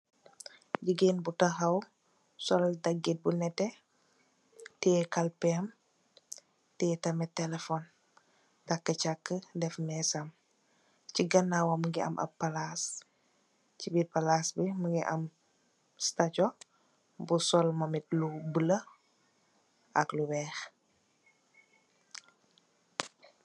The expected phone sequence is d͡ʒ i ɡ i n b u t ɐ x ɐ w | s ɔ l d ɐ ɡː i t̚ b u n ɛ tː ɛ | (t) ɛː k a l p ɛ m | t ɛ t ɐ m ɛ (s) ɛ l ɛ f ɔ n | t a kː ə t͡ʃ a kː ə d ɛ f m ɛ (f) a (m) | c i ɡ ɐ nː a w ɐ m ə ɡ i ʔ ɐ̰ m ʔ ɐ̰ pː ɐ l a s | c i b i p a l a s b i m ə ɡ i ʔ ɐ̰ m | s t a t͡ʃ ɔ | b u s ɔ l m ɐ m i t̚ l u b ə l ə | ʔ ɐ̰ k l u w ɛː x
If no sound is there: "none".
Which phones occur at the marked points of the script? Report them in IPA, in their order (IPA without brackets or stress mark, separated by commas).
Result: t, t, s, m